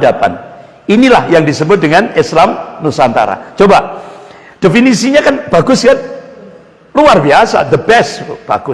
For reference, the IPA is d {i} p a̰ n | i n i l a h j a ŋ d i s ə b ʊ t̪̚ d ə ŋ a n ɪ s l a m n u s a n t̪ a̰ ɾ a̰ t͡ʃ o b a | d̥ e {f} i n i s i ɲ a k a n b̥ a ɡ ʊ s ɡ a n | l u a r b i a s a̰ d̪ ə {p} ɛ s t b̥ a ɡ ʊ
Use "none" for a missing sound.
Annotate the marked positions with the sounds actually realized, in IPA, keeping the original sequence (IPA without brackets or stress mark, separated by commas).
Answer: a, f, b